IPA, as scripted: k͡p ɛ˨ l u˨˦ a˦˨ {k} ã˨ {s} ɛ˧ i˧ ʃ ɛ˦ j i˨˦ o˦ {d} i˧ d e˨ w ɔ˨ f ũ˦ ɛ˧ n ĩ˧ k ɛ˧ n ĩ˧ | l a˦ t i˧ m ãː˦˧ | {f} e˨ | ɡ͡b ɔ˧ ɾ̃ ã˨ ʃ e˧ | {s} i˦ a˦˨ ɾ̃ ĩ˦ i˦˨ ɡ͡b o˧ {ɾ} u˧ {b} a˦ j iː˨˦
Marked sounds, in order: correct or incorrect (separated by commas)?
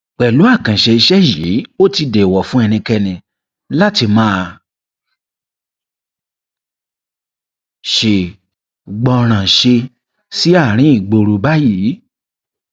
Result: correct, incorrect, incorrect, incorrect, correct, correct, correct